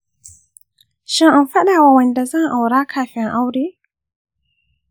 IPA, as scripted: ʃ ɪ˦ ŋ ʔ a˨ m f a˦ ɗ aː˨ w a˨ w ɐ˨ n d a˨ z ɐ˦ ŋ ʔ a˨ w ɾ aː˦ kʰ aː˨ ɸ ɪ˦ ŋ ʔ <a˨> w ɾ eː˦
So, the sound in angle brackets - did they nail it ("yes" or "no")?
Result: no